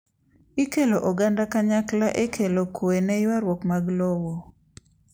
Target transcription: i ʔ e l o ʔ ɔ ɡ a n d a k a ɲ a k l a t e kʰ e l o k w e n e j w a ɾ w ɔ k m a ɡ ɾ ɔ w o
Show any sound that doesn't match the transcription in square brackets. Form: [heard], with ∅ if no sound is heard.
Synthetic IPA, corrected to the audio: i [k] e l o ʔ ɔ ɡ a n d a k a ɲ a k l a [ʔ] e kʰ e l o k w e n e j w a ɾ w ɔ k m a ɡ [l] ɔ w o